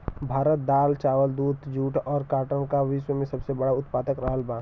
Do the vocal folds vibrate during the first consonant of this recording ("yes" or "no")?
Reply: yes